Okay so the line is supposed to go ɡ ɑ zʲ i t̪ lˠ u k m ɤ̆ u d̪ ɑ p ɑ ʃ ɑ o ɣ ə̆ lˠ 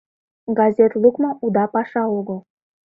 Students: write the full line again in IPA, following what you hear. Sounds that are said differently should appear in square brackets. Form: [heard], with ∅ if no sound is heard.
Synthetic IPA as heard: ɡ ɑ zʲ [e] t̪ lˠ u k m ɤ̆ u d̪ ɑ p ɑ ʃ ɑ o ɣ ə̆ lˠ